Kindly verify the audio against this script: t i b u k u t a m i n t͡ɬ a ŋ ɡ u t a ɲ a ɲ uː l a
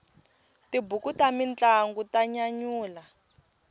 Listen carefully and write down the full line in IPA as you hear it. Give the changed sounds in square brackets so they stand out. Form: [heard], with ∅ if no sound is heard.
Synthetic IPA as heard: t i b u k u t a m i n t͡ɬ a ŋ ɡ u t a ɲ a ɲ uː l a